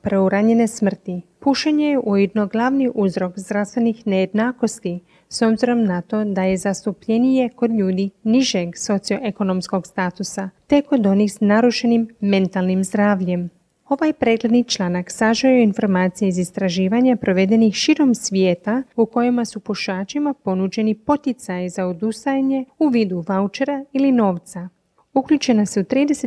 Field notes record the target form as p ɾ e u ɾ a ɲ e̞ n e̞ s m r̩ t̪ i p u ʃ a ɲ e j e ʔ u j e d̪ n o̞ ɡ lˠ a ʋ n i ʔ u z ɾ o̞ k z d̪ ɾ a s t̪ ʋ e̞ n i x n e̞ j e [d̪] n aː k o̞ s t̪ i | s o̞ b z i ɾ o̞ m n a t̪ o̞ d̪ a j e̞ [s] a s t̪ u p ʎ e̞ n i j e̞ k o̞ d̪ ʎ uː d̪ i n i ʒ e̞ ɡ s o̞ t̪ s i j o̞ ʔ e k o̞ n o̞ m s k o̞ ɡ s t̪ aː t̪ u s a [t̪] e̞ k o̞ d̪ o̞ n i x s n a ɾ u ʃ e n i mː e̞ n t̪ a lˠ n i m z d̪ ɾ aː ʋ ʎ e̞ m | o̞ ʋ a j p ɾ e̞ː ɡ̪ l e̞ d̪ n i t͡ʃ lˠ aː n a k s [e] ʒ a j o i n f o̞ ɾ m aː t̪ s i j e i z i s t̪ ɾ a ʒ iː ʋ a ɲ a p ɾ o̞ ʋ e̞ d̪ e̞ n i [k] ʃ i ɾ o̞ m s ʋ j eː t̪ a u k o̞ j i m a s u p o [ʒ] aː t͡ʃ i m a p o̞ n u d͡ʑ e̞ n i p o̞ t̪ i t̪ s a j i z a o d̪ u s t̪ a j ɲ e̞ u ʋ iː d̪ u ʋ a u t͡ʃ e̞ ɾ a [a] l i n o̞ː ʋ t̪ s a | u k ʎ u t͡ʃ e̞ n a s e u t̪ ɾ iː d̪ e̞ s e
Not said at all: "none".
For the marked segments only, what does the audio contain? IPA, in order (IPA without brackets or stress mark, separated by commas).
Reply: d̪, z, t̪, a, x, ʃ, i